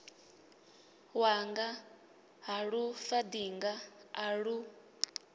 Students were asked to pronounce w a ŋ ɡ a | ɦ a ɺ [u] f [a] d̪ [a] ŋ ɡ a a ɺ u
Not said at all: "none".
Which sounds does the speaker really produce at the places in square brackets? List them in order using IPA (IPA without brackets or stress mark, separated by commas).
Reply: u, a, i